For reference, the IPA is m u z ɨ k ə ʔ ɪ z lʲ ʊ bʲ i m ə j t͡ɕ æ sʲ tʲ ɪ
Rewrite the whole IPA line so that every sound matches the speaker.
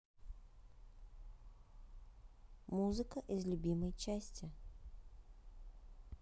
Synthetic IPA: m u z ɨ k ə ʔ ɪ z lʲ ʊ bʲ i m ə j t͡ɕ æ sʲ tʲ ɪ